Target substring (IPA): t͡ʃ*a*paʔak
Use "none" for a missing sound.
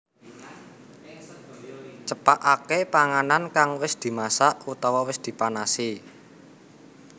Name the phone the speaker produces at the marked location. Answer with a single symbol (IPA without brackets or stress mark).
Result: ə